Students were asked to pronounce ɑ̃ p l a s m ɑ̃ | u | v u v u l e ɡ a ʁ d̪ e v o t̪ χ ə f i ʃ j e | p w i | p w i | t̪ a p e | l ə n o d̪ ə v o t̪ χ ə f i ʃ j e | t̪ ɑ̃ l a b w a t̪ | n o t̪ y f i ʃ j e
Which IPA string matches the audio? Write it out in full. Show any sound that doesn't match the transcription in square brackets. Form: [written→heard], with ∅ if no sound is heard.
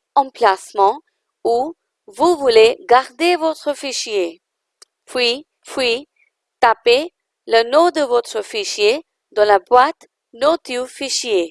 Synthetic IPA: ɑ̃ p l a s m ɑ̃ | u | v u v u l e ɡ a ʁ d̪ e v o t̪ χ ə f i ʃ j e | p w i | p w i | t̪ a p e | l ə n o d̪ ə v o t̪ χ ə f i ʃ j e | [t̪→d̪] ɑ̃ l a b w a t̪ | n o t̪ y f i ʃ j e